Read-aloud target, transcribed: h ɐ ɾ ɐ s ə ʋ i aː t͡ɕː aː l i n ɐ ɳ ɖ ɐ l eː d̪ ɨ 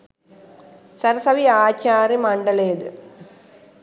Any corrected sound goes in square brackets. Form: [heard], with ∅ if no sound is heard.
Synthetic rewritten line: [s] ɐ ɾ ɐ s [ɐ] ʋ i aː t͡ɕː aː [r] i [m] ɐ ɳ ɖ ɐ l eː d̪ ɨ